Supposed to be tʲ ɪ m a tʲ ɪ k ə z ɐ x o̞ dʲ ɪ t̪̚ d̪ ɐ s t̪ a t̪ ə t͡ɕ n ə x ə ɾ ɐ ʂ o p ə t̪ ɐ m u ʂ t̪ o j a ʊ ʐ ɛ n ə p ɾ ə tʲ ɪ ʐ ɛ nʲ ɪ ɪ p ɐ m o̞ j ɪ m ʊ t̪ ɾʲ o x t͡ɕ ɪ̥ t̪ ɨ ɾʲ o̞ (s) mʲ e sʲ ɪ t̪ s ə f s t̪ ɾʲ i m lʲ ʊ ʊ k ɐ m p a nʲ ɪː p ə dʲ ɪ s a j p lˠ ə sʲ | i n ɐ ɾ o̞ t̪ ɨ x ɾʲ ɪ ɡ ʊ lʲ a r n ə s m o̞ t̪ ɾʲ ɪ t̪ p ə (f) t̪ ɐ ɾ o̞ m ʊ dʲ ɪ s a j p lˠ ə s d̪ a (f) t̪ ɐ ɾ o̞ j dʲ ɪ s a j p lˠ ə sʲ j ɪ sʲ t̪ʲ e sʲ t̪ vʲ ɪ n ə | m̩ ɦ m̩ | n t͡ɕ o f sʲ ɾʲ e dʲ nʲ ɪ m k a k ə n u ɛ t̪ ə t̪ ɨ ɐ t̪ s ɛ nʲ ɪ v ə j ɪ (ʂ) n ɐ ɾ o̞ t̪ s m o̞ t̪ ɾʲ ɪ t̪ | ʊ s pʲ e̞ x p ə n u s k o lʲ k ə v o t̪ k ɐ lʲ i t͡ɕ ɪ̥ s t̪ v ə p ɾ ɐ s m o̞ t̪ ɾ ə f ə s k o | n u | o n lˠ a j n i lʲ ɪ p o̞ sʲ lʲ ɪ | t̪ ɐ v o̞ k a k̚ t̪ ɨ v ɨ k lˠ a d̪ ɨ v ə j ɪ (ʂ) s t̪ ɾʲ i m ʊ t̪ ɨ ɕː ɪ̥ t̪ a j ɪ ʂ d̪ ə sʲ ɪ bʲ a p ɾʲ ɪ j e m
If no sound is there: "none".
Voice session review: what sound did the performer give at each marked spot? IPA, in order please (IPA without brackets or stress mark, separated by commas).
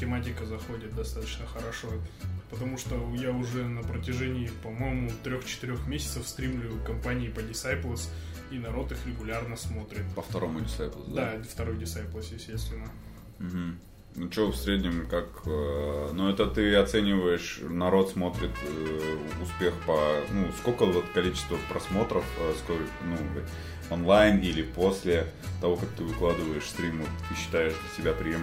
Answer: x, f, f, ʂ, ʂ